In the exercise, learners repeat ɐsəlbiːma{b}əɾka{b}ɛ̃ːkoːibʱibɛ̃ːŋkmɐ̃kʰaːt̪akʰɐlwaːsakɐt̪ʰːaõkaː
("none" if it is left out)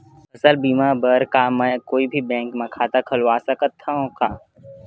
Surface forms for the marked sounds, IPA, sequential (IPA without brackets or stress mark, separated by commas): b, m